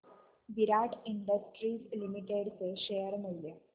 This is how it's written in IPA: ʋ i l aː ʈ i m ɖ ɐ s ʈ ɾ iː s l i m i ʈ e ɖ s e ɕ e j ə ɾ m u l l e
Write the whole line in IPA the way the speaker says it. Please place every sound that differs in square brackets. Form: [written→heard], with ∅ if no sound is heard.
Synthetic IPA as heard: ʋ i [l→ɾ] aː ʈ i [m→ɳ] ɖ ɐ s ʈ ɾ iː s l i m i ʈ e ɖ s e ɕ e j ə ɾ m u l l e